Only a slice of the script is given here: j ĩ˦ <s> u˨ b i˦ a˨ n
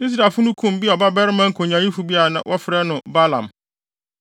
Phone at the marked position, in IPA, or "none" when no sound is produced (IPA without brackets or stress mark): f